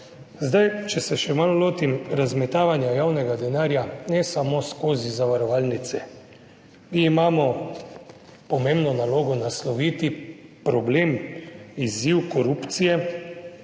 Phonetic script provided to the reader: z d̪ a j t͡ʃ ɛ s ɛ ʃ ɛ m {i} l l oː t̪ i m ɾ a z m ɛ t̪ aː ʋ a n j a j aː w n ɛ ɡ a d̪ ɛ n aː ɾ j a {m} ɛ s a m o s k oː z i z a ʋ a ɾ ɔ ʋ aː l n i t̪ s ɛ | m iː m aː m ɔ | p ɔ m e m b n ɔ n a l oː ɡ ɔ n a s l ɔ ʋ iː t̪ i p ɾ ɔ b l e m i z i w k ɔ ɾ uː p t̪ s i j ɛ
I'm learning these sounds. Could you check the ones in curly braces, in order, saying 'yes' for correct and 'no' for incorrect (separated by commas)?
no, no